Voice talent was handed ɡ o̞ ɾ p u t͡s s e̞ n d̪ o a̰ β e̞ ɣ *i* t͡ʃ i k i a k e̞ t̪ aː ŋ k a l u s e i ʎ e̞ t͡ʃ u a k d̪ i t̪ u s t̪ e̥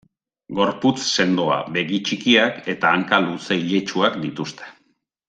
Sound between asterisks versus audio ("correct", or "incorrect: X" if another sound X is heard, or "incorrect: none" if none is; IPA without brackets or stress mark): correct